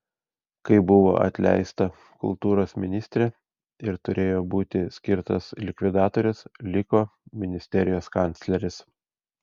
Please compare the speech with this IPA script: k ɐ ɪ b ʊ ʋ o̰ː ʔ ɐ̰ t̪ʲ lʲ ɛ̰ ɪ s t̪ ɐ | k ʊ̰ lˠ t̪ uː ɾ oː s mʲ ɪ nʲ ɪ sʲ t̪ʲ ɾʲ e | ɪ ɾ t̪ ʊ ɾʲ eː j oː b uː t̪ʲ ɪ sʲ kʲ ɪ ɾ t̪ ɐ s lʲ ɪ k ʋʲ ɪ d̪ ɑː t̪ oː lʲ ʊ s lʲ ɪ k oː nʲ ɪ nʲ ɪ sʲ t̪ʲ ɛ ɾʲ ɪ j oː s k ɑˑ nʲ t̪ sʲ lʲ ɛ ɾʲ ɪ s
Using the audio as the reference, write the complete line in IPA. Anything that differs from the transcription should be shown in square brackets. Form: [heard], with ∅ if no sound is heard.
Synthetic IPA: k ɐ ɪ b ʊ ʋ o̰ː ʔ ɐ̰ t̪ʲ lʲ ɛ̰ ɪ s t̪ ɐ | k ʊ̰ lˠ t̪ uː ɾ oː s mʲ ɪ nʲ ɪ sʲ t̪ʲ ɾʲ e | ɪ ɾ t̪ ʊ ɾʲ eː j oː b uː t̪ʲ ɪ sʲ kʲ ɪ ɾ t̪ ɐ s lʲ ɪ k ʋʲ ɪ d̪ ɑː t̪ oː [ɾʲ] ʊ s lʲ ɪ k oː [mʲ] ɪ nʲ ɪ sʲ t̪ʲ ɛ ɾʲ ɪ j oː s k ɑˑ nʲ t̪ sʲ lʲ ɛ ɾʲ ɪ s